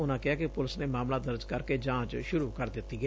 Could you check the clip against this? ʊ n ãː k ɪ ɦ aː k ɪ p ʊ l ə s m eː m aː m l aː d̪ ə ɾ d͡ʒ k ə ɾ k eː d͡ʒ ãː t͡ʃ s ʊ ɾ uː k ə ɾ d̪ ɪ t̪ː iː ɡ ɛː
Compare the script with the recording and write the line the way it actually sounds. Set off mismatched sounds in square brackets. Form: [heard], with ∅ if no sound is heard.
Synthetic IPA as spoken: ʊ n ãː k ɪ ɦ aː k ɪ p ʊ l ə s [n] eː m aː m l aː d̪ ə ɾ d͡ʒ k ə ɾ k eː d͡ʒ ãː t͡ʃ [ʃ] ʊ ɾ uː k ə ɾ d̪ ɪ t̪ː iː ɡ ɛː